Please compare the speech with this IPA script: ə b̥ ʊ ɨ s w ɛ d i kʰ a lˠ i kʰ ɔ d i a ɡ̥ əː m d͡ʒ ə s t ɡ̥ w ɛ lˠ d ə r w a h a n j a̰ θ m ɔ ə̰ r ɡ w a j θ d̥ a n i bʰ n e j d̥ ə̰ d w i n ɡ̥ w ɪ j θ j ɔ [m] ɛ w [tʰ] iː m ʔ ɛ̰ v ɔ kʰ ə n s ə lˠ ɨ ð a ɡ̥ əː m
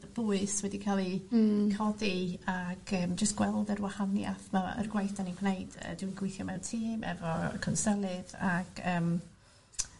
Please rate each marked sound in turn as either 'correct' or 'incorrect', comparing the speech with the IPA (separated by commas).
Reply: correct, correct